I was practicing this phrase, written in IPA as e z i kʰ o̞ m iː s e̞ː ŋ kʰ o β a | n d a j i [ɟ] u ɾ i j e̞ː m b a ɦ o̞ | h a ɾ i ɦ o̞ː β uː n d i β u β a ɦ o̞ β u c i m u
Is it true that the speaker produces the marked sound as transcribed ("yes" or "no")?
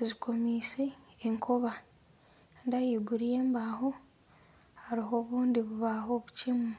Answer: no